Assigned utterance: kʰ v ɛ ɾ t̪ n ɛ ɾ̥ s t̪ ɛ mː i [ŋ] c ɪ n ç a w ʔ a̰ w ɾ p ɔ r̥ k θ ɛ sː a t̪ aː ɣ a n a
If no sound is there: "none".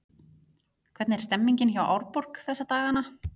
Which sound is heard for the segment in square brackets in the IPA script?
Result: ɲ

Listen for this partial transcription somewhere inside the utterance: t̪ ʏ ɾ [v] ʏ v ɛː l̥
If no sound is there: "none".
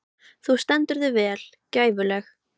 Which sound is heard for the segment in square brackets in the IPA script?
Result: ð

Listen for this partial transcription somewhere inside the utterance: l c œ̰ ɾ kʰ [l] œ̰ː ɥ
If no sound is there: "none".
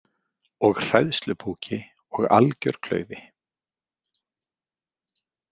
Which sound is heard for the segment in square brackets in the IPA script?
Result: l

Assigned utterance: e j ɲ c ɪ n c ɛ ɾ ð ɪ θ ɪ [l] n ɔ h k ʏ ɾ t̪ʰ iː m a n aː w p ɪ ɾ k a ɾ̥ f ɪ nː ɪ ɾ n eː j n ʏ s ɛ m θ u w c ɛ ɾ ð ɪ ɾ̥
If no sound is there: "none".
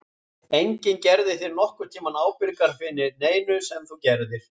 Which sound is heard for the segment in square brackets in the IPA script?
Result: ɾ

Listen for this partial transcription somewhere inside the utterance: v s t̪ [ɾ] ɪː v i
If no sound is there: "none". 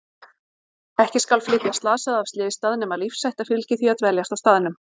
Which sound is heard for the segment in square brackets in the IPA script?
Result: l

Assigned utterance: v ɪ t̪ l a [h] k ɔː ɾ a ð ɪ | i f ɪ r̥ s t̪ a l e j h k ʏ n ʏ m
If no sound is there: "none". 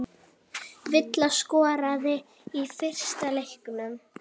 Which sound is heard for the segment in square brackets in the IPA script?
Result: s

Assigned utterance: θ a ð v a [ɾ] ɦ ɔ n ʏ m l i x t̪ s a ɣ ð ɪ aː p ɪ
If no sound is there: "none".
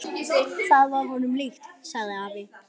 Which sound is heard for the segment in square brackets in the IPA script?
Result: ɾ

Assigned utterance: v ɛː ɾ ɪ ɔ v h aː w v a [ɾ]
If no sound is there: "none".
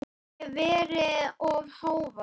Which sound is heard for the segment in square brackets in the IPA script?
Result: none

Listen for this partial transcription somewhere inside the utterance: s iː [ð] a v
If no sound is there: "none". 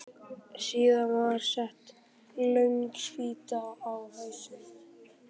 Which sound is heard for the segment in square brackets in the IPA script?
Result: ð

